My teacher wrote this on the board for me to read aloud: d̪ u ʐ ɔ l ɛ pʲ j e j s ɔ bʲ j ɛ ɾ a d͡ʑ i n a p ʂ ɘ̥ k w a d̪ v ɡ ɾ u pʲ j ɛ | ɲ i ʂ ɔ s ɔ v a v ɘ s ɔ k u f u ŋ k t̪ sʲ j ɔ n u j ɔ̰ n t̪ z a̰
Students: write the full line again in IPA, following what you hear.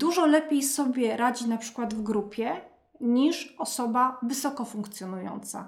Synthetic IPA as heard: d̪ u ʐ ɔ l ɛ pʲ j e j s ɔ bʲ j ɛ ɾ a d͡ʑ i n a p ʂ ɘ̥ k w a d̪ v ɡ ɾ u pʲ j ɛ | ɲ i ʂ ɔ s ɔ b a v ɘ s ɔ k ɔ f u ŋ k t̪ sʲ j ɔ n u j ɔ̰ n t̪ s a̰